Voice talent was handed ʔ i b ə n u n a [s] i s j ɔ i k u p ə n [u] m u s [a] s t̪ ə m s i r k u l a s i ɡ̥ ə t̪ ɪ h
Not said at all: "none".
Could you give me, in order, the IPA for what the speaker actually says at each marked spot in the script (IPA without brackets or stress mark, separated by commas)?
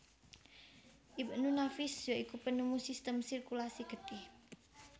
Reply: f, u, i